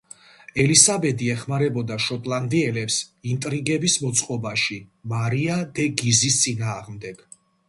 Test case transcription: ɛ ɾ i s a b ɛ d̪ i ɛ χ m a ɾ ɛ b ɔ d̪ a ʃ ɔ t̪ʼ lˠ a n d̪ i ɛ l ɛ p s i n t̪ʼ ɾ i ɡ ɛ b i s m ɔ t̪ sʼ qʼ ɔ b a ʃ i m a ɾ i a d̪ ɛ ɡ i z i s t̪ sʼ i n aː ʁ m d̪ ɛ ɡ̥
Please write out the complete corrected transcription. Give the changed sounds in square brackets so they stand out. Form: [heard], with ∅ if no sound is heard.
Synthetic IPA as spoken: ɛ [l] i s a b ɛ d̪ i ɛ χ m a ɾ ɛ b ɔ d̪ a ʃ ɔ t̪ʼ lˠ a n d̪ i ɛ l ɛ p s i n t̪ʼ ɾ i ɡ ɛ b i s m ɔ t̪ sʼ qʼ ɔ b a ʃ i m a ɾ i a d̪ ɛ ɡ i z i s t̪ sʼ i n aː ʁ m d̪ ɛ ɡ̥